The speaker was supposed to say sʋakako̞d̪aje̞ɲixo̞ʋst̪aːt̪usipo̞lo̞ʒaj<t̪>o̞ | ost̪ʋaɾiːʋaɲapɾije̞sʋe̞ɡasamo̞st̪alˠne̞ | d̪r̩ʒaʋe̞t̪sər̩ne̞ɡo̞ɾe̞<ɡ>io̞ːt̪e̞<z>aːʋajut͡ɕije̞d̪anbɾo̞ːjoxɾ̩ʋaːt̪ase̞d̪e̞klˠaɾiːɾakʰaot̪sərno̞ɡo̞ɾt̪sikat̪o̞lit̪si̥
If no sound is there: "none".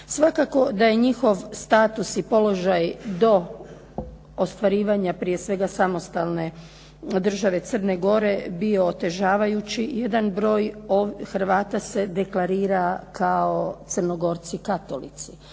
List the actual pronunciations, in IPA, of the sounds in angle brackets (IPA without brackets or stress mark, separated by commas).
d̪, b, ʒ